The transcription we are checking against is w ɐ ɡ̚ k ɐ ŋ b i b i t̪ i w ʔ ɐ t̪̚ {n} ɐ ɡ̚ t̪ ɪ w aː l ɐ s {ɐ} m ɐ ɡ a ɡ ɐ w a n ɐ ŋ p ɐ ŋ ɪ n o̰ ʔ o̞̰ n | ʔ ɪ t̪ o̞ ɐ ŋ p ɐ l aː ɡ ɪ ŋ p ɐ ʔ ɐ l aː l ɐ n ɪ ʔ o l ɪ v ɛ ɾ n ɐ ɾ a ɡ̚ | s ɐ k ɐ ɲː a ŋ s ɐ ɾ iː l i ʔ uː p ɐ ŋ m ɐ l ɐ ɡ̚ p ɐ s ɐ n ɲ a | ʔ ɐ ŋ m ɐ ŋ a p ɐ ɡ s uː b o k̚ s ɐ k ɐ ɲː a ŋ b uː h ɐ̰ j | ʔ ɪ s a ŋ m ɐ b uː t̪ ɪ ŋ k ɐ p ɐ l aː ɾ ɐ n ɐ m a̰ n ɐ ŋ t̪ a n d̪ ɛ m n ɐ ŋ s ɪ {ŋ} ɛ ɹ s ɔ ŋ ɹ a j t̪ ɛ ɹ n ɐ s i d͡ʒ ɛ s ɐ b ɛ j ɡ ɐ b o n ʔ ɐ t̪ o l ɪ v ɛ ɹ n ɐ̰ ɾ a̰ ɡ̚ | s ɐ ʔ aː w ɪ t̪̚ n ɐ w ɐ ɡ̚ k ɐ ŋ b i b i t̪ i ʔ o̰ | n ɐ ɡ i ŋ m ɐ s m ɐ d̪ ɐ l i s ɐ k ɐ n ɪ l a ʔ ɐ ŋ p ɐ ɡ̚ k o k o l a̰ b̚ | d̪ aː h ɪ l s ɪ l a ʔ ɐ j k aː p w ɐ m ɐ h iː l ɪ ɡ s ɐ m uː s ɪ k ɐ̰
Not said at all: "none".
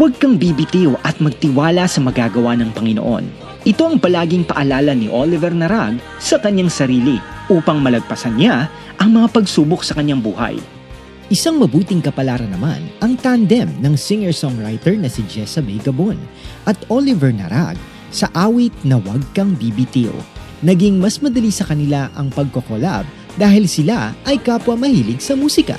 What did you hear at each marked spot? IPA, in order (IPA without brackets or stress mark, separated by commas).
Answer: m, ɐ, ŋ